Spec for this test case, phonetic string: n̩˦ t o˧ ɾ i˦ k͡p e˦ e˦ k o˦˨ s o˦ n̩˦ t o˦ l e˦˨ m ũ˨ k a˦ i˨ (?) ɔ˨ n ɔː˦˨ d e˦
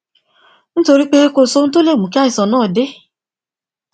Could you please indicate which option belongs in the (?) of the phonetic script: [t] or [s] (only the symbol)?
s